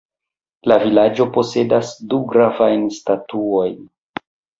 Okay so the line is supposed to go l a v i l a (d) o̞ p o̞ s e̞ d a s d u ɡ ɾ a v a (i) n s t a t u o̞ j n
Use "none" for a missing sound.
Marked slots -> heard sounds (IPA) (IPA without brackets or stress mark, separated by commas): d͡ʒ, j